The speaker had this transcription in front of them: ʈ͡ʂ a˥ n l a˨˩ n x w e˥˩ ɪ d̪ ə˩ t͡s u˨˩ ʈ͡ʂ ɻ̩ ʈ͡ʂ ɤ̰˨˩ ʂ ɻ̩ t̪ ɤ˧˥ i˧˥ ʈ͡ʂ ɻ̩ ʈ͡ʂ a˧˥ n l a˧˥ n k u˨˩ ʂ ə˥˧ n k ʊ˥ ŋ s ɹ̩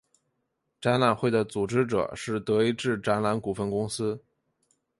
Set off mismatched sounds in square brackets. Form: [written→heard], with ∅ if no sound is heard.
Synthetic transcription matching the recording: ʈ͡ʂ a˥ n l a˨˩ n x w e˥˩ ɪ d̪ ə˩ t͡s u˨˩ ʈ͡ʂ ɻ̩ ʈ͡ʂ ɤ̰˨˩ ʂ ɻ̩ t̪ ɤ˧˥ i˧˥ ʈ͡ʂ ɻ̩ ʈ͡ʂ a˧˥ n l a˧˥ n k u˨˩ [ʂ→f] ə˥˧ n k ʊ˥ ŋ s ɹ̩